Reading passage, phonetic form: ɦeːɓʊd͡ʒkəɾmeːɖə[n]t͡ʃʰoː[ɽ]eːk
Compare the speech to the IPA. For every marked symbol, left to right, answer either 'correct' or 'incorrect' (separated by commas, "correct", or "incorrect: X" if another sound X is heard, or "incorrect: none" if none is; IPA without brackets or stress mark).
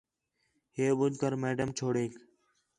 incorrect: m, correct